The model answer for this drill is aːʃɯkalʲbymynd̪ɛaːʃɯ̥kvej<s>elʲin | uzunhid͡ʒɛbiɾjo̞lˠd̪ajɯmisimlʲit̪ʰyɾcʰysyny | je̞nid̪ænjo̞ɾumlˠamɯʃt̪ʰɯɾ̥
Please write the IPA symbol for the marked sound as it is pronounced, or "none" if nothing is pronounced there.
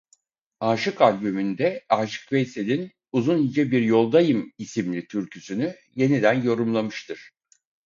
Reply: s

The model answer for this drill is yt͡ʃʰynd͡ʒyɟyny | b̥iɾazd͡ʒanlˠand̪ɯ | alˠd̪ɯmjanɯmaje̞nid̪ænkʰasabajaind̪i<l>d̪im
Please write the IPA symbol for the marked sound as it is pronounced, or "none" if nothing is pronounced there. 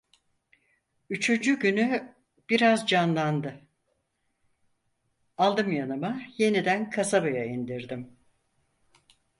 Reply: ɾ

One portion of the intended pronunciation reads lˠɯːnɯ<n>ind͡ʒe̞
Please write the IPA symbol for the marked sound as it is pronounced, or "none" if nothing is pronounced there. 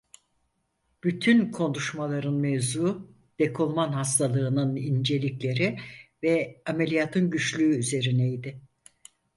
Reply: n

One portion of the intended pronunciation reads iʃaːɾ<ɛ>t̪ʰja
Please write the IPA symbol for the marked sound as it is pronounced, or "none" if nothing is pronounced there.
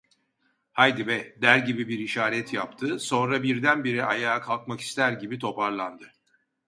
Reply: ɛ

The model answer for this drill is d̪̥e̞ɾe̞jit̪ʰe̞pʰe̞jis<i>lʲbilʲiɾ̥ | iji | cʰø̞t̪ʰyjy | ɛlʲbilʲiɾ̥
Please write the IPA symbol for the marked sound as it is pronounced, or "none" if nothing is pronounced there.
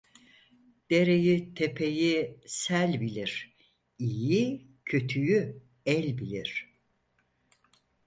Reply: æ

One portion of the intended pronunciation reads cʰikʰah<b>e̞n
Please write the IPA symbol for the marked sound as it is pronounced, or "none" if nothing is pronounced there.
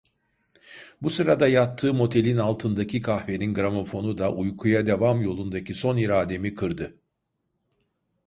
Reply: v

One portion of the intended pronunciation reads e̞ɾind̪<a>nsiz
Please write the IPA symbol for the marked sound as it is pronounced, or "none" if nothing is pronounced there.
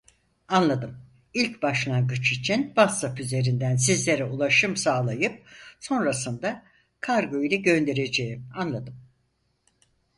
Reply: æ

